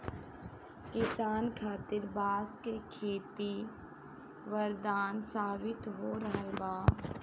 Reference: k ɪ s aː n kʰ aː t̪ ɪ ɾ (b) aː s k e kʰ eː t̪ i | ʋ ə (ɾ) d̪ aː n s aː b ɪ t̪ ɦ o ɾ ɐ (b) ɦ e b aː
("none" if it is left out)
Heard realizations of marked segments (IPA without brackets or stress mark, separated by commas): b, ɾ, none